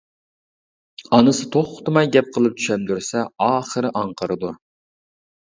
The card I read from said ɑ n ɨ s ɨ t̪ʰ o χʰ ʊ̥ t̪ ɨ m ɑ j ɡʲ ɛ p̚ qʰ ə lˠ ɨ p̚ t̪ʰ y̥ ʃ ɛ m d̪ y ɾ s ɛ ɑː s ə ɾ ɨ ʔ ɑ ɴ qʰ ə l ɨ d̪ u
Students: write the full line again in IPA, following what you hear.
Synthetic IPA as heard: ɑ n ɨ s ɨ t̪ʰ o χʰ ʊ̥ t̪ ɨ m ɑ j ɡʲ ɛ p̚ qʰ ə lˠ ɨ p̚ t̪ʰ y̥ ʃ ɛ m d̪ y ɾ s ɛ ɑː χ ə ɾ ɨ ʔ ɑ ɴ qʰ ə ɾ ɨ d̪ u